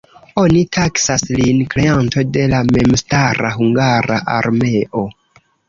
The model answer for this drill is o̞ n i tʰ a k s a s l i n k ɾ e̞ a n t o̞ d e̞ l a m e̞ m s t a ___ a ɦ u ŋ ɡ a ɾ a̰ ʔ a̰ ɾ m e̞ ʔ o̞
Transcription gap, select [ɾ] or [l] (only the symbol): ɾ